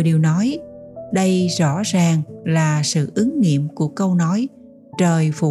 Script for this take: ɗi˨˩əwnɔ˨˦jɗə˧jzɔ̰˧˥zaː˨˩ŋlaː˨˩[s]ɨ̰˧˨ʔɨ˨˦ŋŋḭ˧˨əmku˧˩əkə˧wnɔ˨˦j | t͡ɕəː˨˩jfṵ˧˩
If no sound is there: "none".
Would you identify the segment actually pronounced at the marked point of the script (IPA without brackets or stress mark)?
s